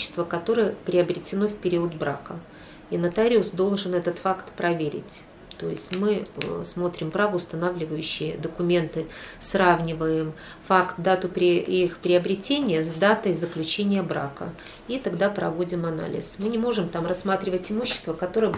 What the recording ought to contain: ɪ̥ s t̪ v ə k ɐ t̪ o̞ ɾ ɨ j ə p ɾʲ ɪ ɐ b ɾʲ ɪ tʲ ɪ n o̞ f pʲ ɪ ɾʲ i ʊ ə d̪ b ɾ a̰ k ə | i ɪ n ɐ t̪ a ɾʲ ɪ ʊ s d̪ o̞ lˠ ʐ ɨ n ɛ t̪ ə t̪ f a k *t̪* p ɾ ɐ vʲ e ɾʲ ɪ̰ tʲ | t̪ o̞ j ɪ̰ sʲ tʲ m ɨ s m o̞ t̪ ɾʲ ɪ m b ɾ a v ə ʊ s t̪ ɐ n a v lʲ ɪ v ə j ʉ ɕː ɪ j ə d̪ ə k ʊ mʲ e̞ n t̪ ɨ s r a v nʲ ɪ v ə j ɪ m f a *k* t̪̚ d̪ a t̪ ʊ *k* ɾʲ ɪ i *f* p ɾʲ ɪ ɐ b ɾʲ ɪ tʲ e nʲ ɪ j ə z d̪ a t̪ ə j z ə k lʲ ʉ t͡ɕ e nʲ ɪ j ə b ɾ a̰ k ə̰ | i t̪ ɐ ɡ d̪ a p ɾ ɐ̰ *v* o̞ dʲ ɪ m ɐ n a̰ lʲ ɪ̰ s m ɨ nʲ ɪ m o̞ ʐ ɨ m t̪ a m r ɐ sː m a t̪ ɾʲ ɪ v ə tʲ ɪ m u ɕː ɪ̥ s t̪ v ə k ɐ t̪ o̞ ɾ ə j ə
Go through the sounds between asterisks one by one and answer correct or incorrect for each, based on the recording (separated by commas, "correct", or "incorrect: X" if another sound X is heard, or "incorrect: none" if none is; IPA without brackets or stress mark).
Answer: correct, correct, incorrect: p, incorrect: x, correct